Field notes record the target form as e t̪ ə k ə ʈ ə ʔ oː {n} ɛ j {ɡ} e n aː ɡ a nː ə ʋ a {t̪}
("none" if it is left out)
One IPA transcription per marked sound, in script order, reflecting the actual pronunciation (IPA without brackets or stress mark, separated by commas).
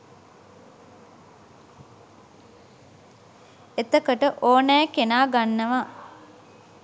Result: n, k, none